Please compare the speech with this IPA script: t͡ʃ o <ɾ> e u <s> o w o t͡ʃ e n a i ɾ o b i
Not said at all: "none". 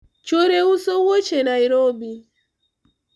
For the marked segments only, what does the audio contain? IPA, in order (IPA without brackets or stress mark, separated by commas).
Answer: ɾ, s